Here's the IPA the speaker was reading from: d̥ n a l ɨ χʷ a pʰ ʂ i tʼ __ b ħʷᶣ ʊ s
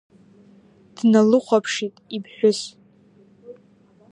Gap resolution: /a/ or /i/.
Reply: i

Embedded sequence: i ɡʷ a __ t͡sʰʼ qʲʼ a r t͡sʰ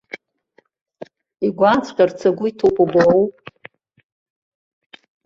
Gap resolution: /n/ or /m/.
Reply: n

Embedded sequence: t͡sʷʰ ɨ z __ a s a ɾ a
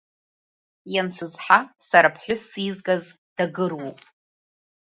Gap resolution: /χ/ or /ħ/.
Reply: ħ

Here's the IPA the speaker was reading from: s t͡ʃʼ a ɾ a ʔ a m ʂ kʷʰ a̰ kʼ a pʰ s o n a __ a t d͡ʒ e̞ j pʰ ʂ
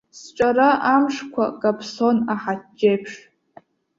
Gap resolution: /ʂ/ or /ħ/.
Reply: ħ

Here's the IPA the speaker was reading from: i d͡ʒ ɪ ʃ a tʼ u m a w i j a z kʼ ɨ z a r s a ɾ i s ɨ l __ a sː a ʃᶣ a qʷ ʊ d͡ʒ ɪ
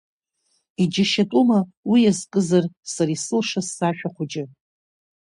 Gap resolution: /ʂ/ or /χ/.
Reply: ʂ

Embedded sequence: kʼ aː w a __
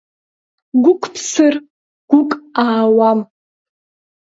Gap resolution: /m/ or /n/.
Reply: m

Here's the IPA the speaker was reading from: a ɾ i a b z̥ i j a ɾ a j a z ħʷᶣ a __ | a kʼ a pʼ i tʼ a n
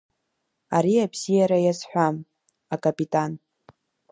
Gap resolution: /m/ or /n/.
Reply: m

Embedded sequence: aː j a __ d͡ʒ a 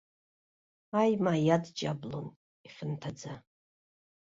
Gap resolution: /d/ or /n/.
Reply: d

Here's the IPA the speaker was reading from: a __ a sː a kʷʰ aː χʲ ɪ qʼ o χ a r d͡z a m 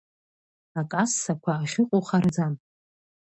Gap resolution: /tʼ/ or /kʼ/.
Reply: kʼ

